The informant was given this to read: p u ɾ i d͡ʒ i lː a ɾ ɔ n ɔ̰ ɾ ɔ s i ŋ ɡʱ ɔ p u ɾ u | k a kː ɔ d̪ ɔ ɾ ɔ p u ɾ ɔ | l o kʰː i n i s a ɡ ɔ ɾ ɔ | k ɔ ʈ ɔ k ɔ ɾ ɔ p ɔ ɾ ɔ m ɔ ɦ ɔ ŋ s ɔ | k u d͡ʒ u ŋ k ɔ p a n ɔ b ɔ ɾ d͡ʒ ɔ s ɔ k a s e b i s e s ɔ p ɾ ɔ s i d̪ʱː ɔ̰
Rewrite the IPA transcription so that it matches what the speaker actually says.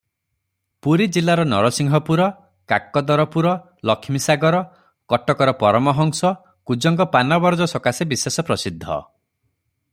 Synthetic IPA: p u ɾ i d͡ʒ i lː a ɾ ɔ n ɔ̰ ɾ ɔ s i ŋ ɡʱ ɔ p u ɾ ɔ | k a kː ɔ d̪ ɔ ɾ ɔ p u ɾ ɔ | l ɔ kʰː i m i s a ɡ ɔ ɾ ɔ | k ɔ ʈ ɔ k ɔ ɾ ɔ p ɔ ɾ ɔ m ɔ ɦ ɔ ŋ s ɔ | k u d͡ʒ ɔ ŋ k ɔ p a n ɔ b ɔ ɾ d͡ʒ ɔ s ɔ k a s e b i s e s ɔ p ɾ ɔ s i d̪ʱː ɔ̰